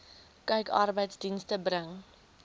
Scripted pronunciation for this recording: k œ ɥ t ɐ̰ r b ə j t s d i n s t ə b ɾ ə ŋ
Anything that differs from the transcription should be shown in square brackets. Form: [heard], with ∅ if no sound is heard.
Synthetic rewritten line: k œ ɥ [k] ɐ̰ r b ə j t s d i n s t ə b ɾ ə ŋ